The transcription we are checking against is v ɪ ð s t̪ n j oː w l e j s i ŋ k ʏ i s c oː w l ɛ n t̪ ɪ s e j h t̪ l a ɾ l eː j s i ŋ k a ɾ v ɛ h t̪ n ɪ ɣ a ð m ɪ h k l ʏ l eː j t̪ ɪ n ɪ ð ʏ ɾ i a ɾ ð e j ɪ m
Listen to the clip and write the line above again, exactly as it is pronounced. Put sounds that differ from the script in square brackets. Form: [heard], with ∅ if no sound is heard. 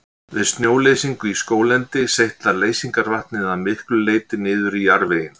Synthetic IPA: v ɪ ð s t̪ n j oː w l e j s i ŋ k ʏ i s [k] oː w l ɛ n t̪ ɪ s e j h t̪ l a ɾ l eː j s i ŋ k a ɾ v [a] h t̪ n ɪ [ð] a ð m ɪ h k l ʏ l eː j t̪ ɪ n [ɪː] ð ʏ ɾ i a ɾ [v] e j ɪ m

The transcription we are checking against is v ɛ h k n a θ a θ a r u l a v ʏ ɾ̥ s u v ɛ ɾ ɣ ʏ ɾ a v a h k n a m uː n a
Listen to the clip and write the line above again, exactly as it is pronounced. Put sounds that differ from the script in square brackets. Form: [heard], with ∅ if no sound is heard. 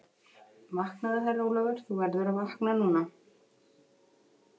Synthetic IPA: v [a] h k n a [ð] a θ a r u l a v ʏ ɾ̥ [θ] u v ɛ ɾ [ð] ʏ ɾ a v a h k n a [n] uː n a

